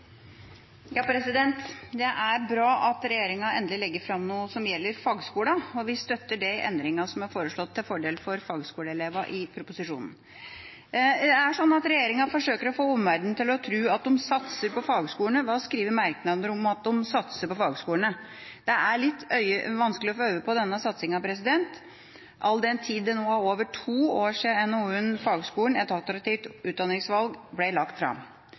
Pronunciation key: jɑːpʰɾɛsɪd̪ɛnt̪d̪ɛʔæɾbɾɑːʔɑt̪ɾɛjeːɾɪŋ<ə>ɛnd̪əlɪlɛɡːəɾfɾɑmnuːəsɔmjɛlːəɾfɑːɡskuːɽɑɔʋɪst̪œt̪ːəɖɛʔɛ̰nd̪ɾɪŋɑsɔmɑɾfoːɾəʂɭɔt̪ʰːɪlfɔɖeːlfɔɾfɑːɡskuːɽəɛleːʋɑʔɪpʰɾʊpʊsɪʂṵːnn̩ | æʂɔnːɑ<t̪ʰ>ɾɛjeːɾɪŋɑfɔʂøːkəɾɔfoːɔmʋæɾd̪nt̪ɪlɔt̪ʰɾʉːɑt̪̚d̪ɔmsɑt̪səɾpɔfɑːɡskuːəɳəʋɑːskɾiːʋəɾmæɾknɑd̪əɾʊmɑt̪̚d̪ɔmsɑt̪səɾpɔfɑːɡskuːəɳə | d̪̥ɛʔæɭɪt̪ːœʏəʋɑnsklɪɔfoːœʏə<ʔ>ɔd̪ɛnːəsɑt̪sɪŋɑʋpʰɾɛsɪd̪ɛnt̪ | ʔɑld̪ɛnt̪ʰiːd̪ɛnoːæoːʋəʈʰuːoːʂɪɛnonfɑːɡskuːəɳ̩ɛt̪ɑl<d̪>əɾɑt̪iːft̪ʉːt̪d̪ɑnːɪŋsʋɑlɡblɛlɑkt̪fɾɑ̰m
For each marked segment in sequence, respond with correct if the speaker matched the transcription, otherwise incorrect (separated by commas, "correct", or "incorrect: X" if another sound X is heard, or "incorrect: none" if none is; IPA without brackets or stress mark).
incorrect: ɑ, incorrect: t̪, incorrect: p, incorrect: t̪